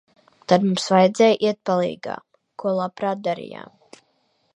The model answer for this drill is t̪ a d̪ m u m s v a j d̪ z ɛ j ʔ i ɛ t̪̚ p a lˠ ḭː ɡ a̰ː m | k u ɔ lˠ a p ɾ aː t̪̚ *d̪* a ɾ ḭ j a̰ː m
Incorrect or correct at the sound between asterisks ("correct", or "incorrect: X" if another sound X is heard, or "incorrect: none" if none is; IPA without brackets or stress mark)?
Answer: correct